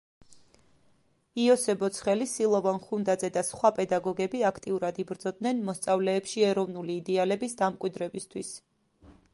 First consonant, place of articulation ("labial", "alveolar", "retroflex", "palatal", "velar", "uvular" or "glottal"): alveolar